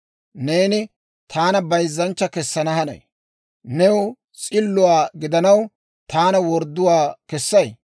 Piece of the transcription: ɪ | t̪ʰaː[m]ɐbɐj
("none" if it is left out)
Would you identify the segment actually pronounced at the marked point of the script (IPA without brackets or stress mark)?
n